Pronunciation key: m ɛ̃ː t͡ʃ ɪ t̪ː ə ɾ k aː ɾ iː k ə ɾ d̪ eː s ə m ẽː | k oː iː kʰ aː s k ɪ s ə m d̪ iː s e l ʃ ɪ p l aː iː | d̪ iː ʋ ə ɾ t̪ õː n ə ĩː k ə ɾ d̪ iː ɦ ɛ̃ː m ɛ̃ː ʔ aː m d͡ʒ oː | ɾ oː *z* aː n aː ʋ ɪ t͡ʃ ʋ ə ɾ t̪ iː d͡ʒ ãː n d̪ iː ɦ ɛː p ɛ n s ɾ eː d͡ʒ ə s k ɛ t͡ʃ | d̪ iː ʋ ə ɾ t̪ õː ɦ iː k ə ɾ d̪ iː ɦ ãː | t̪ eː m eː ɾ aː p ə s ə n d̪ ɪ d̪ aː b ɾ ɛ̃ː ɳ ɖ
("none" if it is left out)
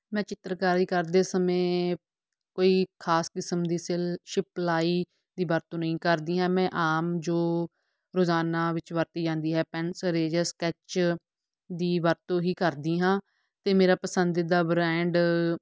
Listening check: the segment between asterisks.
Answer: z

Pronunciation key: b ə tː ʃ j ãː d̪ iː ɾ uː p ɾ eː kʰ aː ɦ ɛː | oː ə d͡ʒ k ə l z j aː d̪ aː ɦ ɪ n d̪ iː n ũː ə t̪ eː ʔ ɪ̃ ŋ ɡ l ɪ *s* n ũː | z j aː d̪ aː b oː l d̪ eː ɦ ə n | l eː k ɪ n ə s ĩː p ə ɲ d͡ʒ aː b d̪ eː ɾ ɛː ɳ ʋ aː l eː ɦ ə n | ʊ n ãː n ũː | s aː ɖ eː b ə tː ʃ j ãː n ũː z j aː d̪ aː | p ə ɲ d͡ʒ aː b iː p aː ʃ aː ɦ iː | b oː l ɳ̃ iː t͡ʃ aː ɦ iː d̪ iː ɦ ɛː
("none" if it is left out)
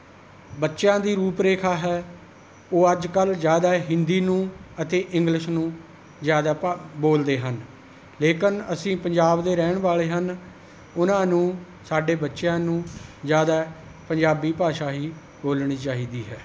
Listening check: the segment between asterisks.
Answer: ʃ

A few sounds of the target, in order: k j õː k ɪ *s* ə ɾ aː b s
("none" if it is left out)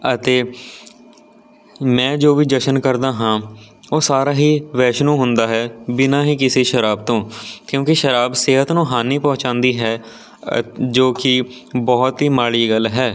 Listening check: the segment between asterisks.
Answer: ʃ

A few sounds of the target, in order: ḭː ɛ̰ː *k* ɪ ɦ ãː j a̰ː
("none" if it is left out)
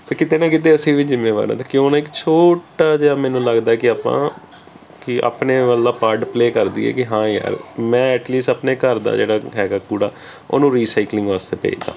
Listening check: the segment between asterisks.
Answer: k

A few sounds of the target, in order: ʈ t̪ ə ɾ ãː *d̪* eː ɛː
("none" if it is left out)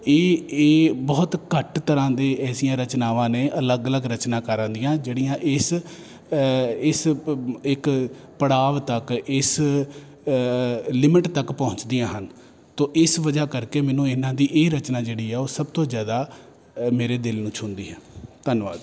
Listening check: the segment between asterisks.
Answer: d̪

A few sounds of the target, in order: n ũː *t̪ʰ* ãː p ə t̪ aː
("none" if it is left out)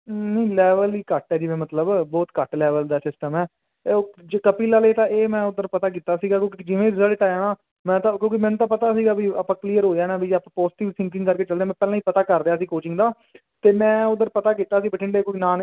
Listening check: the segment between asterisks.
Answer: t̪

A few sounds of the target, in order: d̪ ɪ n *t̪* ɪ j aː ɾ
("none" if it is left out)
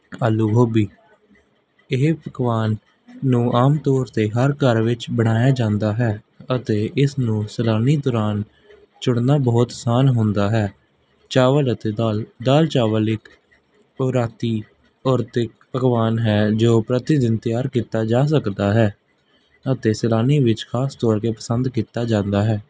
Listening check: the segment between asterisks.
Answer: t̪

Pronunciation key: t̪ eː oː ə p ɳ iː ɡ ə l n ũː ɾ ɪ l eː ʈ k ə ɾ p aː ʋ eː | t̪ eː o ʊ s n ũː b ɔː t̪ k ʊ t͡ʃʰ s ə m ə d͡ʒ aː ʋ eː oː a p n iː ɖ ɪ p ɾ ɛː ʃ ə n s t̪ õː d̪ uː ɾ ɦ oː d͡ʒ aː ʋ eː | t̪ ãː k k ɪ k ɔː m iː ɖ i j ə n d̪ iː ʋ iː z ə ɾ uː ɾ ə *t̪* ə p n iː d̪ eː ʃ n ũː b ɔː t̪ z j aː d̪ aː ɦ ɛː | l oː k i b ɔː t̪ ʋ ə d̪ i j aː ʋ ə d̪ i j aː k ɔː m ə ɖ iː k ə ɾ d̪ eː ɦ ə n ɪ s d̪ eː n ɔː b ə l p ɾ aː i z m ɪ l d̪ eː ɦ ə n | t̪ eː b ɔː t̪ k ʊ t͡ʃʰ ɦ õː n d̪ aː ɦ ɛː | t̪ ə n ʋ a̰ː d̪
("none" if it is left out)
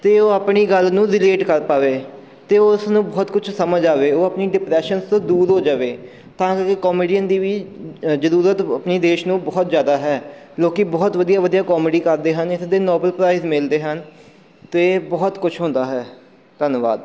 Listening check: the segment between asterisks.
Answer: t̪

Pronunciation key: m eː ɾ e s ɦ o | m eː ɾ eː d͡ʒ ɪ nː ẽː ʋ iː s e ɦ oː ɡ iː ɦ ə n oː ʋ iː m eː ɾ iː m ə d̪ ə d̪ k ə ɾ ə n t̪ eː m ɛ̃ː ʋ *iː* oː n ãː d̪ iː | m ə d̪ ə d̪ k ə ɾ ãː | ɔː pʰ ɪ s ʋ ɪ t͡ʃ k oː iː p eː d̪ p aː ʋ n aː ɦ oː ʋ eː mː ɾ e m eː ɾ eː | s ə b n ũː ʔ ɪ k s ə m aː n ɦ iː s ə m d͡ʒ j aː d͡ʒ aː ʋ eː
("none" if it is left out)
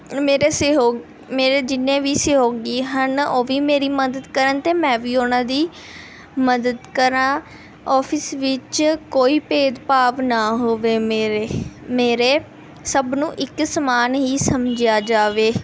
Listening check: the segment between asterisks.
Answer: iː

